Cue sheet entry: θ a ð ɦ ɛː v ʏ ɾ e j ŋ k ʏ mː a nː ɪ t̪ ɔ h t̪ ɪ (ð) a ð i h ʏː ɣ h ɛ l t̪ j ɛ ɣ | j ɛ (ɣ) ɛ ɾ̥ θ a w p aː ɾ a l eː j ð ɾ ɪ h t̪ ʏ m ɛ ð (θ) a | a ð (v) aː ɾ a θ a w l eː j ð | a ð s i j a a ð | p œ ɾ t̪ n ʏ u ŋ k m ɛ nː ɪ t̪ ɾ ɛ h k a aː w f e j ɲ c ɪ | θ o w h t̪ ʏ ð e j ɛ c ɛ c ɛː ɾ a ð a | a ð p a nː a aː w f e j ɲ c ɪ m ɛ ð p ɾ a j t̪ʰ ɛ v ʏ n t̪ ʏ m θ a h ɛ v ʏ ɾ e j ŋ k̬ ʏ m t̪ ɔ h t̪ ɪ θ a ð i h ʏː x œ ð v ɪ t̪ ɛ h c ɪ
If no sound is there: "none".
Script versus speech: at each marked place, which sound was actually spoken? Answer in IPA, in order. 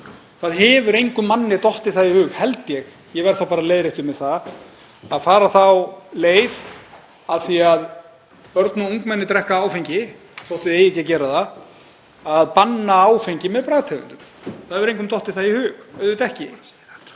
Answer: θ, v, θ, f

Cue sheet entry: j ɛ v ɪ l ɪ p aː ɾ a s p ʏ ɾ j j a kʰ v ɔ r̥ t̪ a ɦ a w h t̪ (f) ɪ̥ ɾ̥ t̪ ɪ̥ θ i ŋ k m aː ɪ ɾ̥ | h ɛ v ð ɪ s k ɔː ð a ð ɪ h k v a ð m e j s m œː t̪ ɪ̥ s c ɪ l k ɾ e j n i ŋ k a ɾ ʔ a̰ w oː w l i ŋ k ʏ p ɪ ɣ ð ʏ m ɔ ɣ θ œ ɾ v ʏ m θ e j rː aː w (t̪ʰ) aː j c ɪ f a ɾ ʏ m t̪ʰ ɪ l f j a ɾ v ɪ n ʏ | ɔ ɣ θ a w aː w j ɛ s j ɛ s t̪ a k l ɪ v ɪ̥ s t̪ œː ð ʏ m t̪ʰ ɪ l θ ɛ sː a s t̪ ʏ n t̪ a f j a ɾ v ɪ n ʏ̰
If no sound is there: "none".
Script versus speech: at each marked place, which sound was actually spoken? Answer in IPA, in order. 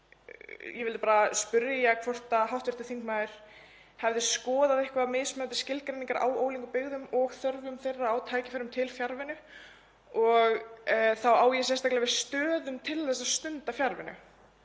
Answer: v, t̪ʰ

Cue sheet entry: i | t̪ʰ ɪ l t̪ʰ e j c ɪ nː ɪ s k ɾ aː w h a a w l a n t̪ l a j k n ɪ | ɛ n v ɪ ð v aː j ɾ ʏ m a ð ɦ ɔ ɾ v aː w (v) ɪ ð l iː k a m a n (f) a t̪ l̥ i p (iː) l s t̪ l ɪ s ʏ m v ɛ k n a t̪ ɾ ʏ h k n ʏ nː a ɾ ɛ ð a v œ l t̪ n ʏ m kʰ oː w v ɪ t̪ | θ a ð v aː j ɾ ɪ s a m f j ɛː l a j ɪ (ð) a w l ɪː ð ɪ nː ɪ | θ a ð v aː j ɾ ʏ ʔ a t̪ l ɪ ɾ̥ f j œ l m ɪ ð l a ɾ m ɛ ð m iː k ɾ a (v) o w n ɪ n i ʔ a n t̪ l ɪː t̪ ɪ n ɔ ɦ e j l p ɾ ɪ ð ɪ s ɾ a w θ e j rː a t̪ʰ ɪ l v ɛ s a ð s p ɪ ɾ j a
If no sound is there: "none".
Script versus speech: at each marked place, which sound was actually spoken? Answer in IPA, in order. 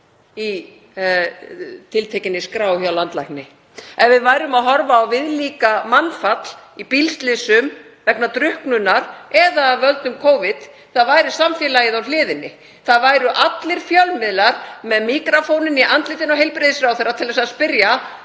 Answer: v, f, i, ð, f

